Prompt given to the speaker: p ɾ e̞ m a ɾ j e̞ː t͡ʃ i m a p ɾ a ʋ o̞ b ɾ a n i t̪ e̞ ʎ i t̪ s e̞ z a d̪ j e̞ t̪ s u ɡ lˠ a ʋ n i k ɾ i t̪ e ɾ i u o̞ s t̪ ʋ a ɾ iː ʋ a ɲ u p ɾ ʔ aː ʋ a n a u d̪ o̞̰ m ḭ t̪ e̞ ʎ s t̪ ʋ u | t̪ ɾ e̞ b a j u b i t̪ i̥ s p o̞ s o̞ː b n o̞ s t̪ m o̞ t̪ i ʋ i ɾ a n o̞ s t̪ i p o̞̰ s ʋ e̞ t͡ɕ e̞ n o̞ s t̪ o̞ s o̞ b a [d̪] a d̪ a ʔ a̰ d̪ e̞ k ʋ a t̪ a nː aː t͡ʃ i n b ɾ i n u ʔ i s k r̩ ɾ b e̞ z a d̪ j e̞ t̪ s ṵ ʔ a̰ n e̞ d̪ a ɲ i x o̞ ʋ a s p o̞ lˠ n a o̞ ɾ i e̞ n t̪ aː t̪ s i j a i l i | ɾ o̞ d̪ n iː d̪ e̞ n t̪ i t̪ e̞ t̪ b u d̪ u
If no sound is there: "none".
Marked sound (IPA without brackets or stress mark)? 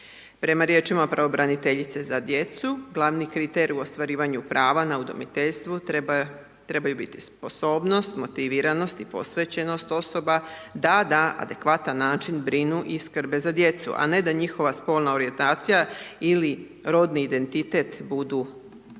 d̪